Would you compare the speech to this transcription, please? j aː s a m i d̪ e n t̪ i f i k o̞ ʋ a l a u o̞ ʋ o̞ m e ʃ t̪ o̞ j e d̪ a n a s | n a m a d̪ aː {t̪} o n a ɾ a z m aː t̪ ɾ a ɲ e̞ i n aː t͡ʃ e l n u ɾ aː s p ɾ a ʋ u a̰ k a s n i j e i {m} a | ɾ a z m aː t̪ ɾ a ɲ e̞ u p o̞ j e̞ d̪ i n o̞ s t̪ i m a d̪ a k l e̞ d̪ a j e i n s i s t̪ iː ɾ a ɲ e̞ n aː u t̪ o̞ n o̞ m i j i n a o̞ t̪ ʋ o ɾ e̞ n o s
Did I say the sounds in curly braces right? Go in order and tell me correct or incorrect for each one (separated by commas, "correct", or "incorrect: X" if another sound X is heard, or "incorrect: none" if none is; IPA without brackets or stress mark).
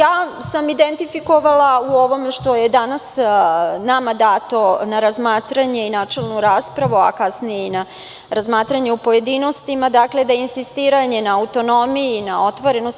correct, incorrect: n